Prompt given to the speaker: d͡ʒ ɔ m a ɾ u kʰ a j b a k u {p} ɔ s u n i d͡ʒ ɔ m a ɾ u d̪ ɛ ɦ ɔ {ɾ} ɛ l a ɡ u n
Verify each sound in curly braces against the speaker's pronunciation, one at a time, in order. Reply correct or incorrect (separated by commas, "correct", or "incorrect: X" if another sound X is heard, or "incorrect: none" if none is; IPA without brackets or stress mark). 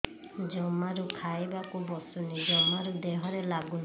incorrect: b, correct